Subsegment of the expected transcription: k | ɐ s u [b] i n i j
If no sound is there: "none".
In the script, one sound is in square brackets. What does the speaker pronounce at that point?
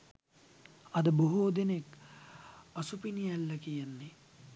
p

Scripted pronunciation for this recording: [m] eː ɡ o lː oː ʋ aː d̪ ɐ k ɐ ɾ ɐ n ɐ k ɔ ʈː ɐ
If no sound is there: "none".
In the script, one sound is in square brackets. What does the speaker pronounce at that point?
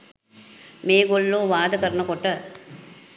m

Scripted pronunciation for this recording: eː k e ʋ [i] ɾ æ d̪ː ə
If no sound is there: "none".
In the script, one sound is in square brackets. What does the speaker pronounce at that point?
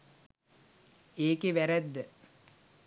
æ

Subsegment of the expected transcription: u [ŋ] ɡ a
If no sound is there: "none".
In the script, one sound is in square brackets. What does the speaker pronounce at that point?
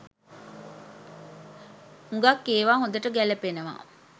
ŋ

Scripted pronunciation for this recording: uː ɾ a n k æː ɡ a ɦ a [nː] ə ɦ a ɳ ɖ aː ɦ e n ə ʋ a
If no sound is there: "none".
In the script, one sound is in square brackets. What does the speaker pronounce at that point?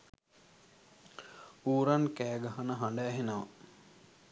n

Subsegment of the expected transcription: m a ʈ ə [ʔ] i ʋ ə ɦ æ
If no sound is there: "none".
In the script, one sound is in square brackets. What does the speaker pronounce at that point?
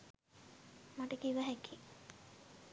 k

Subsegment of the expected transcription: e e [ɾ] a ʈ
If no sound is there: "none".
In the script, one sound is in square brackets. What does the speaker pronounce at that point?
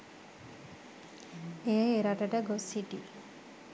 ɾ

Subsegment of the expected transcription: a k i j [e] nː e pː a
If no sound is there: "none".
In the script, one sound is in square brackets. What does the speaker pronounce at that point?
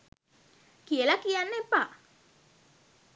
a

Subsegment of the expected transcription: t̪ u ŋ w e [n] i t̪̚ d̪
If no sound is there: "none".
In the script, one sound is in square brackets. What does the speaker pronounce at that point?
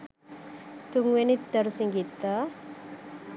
n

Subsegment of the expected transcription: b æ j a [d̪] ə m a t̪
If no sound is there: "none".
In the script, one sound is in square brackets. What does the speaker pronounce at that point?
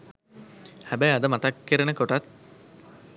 d̪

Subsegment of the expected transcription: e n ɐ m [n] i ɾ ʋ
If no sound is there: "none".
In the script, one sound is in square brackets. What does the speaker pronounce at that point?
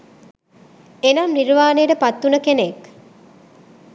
n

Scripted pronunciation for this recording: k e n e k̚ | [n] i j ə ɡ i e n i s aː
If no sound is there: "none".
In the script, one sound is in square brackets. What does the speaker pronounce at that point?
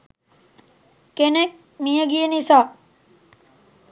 m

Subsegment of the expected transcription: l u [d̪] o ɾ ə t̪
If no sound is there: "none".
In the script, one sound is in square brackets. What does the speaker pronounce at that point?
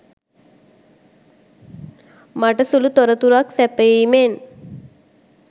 t̪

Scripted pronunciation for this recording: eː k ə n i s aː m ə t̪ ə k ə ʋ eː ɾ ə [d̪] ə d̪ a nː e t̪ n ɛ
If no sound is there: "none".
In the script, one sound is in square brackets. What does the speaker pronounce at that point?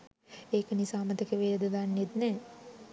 d̪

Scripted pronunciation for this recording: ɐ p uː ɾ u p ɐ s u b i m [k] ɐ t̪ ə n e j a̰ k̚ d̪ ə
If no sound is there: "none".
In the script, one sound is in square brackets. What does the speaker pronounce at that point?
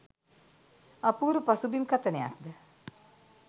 k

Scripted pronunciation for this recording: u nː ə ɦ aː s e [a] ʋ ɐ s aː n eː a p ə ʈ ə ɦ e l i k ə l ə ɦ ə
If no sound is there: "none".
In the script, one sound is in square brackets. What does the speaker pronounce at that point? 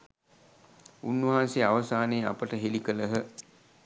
a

